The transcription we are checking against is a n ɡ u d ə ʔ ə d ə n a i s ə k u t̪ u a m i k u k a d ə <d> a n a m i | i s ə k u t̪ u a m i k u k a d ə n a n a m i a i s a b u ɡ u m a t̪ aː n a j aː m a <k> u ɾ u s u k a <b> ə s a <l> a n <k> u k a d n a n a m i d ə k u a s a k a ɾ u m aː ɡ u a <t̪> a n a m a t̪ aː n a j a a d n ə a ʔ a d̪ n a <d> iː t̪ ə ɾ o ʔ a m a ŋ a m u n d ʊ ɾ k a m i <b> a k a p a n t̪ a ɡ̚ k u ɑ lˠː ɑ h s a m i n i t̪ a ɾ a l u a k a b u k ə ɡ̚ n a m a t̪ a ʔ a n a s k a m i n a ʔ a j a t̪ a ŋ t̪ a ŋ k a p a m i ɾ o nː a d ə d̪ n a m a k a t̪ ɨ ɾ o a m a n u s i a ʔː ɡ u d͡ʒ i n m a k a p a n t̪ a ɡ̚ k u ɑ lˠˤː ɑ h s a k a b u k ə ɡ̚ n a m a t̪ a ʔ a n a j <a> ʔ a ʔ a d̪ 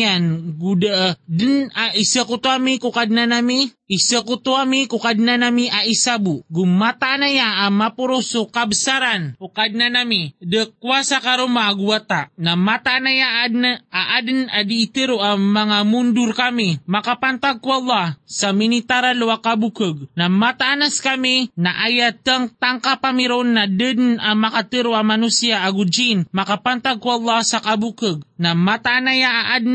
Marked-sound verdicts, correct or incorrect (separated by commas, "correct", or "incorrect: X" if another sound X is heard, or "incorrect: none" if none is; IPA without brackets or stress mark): incorrect: n, incorrect: p, correct, incorrect: ɾ, correct, correct, correct, incorrect: m, correct